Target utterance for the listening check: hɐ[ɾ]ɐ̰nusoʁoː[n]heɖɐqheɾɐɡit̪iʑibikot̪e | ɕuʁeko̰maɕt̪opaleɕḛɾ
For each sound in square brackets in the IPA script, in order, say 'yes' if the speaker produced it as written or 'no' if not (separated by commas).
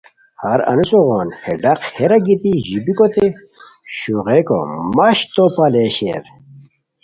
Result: yes, yes